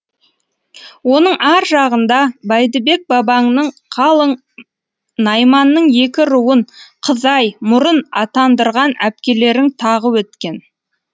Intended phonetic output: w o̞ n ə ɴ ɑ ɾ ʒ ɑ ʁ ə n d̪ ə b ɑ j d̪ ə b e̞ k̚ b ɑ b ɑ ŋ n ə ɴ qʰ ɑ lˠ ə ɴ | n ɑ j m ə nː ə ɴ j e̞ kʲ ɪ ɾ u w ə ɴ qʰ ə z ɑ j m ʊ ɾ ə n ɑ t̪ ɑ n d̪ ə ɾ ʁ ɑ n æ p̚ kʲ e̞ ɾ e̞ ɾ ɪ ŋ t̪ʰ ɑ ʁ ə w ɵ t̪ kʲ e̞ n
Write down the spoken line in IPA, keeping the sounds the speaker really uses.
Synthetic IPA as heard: w o̞ n ə ɴ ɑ ɾ ʒ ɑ ʁ ə n d̪ ɑ b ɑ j d̪ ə b e̞ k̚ b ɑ b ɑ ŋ n ə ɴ qʰ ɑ lˠ ə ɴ | n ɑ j m ɑ nː ə ɴ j e̞ kʲ ɪ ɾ u w ə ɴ qʰ ə z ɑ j m ʊ ɾ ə n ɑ t̪ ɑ n d̪ ə ɾ ʁ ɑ n æ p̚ kʲ e̞ l e̞ ɾ ɪ ŋ t̪ʰ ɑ ʁ ə w ɵ t̪ kʲ e̞ n